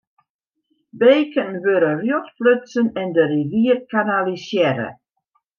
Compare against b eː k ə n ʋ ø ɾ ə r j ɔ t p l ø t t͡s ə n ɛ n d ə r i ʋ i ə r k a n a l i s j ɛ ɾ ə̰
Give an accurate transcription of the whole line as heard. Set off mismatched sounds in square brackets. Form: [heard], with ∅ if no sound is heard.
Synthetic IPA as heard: b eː k ə n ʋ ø ɾ ə r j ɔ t p l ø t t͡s ə n ɛ n d ə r i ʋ i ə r k a n a l i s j ɛ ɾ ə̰

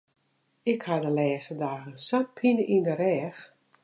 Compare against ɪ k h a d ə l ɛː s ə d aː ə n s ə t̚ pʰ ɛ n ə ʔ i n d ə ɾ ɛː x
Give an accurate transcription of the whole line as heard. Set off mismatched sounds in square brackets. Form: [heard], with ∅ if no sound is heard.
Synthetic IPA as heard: ɪ k h a d ə l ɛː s ə d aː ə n s [a] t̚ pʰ [i] n ə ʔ i n d ə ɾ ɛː x

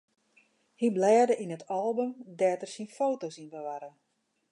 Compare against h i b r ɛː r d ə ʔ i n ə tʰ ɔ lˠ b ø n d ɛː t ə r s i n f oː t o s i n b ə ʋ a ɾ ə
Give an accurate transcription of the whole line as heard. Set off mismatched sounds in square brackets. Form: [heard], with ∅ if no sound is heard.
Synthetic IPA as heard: h i b [l] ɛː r d ə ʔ i n ə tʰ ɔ lˠ b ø [m] d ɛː t ə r s i n f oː t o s i n b ə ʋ a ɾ ə

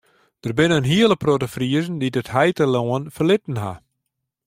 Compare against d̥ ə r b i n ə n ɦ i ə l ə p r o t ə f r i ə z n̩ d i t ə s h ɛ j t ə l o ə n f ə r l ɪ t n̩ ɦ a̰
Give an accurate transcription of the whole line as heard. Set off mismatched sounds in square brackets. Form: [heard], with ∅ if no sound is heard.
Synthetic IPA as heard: d̥ ə r b [ɪ] n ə n ɦ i ə l ə p r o t ə f r i ə z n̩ d i [d] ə [t] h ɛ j t ə l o ə n f ə r l ɪ t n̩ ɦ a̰

